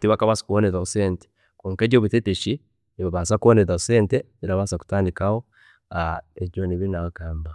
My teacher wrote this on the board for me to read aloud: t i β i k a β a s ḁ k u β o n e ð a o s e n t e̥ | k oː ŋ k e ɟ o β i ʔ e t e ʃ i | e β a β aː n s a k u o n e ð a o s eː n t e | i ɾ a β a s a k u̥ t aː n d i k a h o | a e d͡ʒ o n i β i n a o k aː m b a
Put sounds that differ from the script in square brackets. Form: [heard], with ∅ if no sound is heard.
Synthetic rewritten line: t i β [a] k a β a s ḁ k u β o n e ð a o s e n t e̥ | k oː ŋ k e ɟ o β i [t] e t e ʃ i | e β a β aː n s a k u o n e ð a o s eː n t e | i ɾ a β a s a k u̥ t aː n d i k a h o | a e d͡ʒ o n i β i n a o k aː m b a